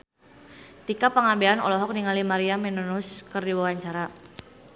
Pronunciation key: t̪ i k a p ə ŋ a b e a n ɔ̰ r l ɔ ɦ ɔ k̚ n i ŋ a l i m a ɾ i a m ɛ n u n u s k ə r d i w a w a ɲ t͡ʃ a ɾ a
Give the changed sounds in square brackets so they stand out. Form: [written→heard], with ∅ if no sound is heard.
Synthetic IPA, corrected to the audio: t̪ i k a p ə ŋ a b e a n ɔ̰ [r→∅] l ɔ ɦ ɔ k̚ n i ŋ a l i m a ɾ i a m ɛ n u n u s k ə r d i w a w a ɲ t͡ʃ a ɾ a